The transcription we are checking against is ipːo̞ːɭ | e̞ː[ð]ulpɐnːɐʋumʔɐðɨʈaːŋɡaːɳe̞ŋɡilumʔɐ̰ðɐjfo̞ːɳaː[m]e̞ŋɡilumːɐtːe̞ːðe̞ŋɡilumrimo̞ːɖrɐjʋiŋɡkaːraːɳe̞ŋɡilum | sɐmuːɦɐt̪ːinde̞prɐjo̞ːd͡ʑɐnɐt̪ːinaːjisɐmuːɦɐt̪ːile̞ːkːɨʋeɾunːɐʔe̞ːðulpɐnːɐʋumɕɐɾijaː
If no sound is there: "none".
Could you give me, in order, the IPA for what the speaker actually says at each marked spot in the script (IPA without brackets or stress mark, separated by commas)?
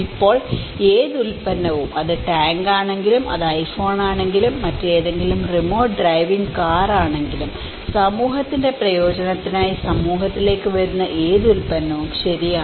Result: ð, ɳ